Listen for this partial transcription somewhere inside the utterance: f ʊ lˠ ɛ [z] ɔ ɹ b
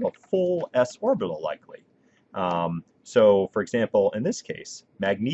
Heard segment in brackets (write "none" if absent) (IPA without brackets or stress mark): s